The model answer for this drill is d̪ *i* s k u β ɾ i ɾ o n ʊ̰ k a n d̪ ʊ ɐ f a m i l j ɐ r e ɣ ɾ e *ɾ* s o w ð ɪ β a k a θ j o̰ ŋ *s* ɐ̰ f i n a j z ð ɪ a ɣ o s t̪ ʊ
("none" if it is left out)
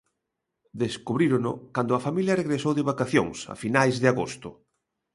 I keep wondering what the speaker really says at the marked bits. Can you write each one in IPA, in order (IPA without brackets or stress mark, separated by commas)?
e, none, s